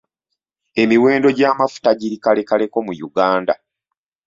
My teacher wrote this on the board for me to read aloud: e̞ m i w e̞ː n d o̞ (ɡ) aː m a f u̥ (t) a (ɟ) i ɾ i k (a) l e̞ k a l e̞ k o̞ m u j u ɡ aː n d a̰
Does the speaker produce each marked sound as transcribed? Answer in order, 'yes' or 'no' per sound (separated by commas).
no, yes, yes, yes